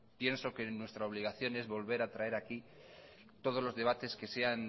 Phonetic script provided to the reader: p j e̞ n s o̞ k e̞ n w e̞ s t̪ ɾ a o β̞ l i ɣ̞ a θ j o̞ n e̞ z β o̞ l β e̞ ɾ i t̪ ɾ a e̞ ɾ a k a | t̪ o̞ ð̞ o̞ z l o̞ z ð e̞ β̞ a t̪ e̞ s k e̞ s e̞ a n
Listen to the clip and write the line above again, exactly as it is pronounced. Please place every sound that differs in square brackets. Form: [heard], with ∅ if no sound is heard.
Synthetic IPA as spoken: p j e̞ n s o̞ k e̞ n w e̞ s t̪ ɾ a o β̞ l i ɣ̞ a θ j o̞ n e̞ z β o̞ l β e̞ ɾ [a] t̪ ɾ a e̞ ɾ a k [i] | t̪ o̞ ð̞ o̞ z l o̞ z ð e̞ β̞ a t̪ e̞ s k e̞ s e̞ a n